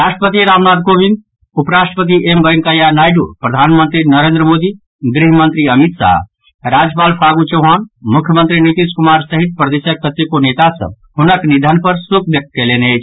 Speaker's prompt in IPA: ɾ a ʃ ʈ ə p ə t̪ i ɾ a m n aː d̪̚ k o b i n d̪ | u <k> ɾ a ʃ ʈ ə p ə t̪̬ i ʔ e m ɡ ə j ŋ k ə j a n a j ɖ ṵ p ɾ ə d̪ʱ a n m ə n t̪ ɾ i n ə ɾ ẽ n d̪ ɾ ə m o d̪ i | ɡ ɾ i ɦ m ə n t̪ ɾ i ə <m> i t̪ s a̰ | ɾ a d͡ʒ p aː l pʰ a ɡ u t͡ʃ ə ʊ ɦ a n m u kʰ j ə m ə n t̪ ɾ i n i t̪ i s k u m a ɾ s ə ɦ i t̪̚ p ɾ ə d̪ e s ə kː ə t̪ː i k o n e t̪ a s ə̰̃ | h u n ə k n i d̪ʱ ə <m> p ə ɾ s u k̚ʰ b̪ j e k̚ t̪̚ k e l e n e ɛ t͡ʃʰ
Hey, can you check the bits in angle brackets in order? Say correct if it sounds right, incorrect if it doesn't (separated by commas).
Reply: incorrect, correct, incorrect